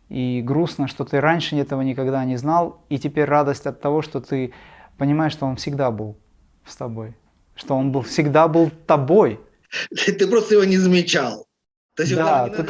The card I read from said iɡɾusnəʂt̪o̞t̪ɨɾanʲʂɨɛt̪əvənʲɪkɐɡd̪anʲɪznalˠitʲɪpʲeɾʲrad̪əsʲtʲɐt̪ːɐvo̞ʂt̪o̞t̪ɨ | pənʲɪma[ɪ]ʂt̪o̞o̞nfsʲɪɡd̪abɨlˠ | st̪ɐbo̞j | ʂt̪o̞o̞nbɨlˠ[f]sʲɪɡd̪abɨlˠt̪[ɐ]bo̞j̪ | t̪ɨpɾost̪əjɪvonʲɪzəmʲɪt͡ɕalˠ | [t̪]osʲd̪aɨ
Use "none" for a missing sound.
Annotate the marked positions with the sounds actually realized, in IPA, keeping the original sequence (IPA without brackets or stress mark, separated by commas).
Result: ɪ, f, ɐ, t̪